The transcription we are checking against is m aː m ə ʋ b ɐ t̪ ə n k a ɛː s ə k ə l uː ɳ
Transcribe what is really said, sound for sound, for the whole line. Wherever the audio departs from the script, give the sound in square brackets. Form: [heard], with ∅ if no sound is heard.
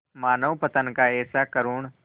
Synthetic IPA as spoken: m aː [n] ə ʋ [p] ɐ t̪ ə n k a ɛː s [a] k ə [ɾ] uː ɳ